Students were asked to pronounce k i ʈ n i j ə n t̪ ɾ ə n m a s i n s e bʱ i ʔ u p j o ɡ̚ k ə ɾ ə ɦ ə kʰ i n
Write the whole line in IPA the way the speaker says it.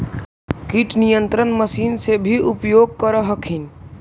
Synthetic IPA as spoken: k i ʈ n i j ə n t̪ ɾ ə n m ə s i n s e bʱ i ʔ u p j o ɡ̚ k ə ɾ ə ɦ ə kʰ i n